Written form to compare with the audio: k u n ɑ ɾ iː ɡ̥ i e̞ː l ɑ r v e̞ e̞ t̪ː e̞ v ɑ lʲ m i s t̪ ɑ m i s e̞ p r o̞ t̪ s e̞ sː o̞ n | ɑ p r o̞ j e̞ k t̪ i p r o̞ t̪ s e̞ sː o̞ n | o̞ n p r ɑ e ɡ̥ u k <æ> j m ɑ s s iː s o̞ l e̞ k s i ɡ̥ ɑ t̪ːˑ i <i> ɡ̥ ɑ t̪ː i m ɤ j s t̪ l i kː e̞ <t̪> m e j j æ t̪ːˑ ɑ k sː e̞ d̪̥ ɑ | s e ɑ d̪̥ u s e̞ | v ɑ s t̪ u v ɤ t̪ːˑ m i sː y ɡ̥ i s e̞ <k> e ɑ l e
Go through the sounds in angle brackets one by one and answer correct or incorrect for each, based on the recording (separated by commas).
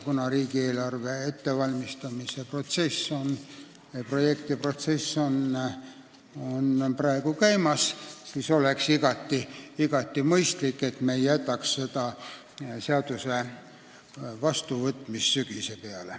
correct, correct, correct, incorrect